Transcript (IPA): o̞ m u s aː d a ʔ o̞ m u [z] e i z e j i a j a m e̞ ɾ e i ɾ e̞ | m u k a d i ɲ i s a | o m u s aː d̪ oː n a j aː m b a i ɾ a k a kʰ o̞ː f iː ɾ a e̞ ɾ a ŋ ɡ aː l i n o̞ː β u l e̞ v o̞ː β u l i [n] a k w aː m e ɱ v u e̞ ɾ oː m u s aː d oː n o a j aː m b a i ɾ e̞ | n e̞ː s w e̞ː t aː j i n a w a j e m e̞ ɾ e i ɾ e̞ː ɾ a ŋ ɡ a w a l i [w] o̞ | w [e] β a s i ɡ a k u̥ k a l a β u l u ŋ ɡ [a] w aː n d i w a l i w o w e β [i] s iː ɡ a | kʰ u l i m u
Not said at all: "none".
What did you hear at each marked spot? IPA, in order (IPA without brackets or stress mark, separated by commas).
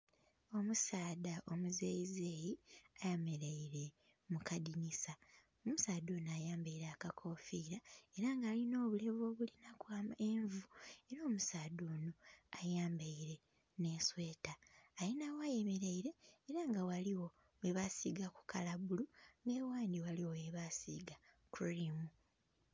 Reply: z, n, w, e, e, a